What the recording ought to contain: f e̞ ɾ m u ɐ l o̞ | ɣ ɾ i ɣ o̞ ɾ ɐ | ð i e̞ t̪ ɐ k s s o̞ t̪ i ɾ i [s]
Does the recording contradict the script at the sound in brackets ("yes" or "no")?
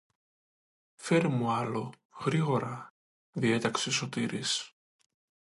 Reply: no